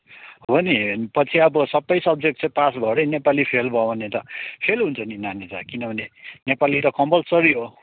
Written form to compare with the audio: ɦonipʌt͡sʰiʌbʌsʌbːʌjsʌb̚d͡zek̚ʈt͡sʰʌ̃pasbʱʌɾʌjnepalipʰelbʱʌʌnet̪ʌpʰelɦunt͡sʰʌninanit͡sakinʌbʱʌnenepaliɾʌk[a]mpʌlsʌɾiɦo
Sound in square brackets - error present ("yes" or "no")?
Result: yes